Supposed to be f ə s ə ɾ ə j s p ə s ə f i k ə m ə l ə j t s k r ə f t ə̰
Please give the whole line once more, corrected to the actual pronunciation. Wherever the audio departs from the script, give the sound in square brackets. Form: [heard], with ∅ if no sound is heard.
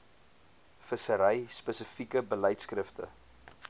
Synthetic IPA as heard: f ə s ə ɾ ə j s p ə s ə f i k ə [b] ə l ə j t s k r ə f t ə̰